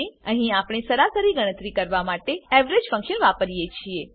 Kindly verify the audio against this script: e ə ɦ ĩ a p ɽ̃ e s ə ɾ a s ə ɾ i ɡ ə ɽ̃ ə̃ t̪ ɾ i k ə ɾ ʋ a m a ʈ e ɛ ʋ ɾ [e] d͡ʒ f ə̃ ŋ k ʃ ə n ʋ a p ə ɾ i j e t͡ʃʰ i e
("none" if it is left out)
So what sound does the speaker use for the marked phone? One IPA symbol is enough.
e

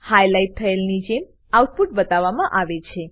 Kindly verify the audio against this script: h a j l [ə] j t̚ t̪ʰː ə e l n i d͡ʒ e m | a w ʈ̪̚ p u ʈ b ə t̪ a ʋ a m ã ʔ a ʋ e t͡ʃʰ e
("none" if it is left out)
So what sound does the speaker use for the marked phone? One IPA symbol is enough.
a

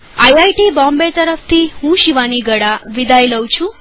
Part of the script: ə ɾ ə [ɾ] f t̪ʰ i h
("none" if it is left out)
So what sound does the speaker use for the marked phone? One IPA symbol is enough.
none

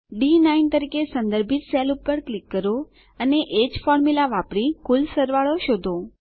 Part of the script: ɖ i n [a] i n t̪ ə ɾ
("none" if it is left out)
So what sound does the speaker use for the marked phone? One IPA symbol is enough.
a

